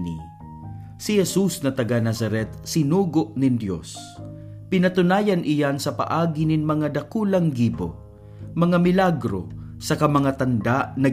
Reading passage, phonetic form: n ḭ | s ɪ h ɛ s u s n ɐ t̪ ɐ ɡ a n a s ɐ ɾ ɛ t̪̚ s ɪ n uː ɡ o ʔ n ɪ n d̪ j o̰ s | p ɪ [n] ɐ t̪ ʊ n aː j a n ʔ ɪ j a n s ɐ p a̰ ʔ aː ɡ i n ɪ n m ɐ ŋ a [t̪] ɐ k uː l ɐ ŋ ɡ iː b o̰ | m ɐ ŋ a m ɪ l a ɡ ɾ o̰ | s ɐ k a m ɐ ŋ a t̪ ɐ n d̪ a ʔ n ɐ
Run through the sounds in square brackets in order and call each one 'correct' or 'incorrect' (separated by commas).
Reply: correct, incorrect